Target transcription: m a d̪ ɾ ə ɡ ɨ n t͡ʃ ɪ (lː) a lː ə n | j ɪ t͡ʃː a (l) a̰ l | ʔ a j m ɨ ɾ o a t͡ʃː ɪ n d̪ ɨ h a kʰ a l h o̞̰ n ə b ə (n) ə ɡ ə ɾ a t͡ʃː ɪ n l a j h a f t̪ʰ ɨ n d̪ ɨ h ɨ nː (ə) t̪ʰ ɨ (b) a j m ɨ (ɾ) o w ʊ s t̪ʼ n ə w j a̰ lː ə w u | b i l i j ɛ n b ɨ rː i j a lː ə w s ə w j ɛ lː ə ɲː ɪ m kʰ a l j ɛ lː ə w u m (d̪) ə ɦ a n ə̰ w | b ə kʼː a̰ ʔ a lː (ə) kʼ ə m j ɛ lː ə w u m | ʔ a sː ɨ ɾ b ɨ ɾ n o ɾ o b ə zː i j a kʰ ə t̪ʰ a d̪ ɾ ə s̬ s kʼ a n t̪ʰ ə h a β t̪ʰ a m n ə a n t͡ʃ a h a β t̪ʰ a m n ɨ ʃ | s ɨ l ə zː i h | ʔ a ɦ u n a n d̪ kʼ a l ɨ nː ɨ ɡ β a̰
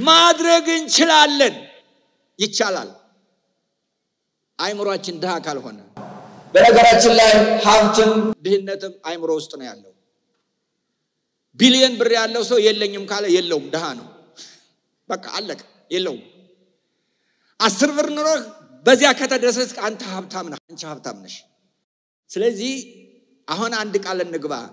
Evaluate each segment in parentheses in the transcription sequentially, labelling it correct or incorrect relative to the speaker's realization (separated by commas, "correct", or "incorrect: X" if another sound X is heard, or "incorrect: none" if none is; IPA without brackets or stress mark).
incorrect: l, correct, correct, correct, incorrect: m, correct, correct, correct